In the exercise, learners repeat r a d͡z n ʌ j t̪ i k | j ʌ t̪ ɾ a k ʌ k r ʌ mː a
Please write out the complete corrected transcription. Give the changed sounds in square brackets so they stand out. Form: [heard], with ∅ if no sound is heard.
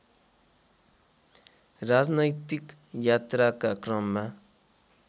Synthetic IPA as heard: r a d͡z n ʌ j t̪ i k | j [a] t̪ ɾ a k [a] k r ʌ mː a